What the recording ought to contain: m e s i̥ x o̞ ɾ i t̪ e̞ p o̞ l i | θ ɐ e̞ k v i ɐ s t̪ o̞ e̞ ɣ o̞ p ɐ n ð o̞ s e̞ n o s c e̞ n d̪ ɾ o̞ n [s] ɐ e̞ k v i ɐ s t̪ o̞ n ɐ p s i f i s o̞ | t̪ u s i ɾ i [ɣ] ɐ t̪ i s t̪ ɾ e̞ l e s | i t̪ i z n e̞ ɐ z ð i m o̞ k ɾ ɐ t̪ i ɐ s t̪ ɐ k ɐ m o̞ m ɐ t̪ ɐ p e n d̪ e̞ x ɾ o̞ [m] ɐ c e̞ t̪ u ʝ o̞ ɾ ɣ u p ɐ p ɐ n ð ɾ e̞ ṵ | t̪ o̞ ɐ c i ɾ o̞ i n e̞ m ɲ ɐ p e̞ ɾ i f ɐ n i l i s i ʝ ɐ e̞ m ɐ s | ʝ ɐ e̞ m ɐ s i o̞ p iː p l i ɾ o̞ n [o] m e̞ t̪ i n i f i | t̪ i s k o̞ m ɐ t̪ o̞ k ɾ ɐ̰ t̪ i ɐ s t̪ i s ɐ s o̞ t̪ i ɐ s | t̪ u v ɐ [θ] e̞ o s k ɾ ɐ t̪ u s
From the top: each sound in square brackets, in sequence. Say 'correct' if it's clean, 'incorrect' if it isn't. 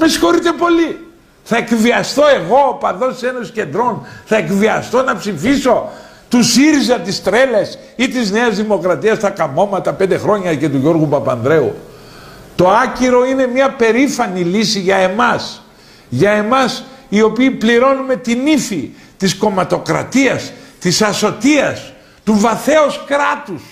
incorrect: θ, incorrect: z, incorrect: ɲ, incorrect: u, correct

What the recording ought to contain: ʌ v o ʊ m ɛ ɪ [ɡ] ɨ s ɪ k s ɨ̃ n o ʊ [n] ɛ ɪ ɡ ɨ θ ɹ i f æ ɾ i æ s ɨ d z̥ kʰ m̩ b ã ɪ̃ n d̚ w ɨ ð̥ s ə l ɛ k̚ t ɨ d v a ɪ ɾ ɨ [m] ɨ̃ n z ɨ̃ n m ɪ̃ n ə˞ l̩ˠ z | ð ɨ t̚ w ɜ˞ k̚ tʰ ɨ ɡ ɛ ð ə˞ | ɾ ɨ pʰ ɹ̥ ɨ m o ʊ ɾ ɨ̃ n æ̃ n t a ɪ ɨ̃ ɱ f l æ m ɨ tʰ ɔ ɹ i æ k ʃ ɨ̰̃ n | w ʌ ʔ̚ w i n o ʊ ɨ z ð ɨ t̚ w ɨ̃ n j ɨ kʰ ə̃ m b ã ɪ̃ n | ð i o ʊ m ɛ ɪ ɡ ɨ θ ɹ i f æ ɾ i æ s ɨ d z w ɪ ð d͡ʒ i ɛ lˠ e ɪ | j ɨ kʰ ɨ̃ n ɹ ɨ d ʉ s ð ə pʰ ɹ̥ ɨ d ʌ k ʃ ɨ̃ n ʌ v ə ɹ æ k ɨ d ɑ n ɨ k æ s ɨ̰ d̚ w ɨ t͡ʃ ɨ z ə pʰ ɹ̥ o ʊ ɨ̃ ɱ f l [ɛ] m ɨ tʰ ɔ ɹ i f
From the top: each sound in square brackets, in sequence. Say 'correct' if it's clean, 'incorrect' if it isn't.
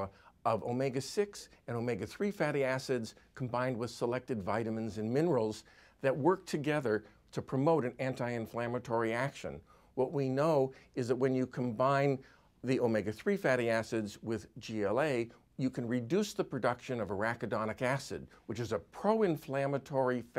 correct, incorrect: m, correct, incorrect: æ

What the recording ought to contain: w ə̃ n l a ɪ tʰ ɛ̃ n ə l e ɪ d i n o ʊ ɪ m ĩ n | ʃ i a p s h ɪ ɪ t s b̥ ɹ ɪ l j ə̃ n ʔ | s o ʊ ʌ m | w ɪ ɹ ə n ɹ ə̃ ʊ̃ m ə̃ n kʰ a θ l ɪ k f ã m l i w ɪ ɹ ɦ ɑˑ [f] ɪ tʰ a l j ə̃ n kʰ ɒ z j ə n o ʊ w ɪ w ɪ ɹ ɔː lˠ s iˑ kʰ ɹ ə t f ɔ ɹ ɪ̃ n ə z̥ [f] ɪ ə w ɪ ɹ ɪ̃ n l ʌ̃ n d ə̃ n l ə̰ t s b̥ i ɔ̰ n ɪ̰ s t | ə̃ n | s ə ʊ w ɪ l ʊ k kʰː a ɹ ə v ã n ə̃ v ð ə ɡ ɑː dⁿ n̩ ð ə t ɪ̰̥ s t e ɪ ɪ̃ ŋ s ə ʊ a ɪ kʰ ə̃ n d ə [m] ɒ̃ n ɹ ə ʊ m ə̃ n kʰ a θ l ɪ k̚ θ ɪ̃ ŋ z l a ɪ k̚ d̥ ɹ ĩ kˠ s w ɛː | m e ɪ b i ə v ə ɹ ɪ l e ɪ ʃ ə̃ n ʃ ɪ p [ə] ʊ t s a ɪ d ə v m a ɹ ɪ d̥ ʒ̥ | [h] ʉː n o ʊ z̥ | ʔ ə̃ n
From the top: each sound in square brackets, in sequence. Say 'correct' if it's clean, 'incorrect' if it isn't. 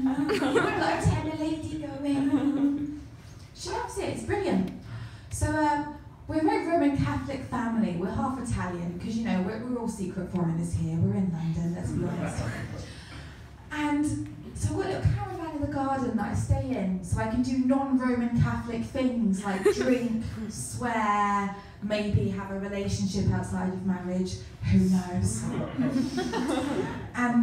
correct, incorrect: h, incorrect: n, incorrect: a, correct

